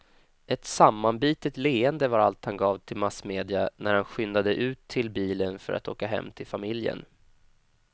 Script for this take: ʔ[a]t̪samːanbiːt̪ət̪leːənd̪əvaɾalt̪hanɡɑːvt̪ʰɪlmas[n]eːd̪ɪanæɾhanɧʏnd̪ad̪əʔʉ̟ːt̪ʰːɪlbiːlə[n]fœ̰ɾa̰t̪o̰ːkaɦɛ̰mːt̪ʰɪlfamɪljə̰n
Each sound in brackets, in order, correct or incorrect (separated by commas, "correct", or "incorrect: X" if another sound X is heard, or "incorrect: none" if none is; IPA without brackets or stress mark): incorrect: ɛ, incorrect: m, correct